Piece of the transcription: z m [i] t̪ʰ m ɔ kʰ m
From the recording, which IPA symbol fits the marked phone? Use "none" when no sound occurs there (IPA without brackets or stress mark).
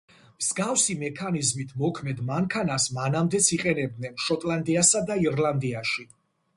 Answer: i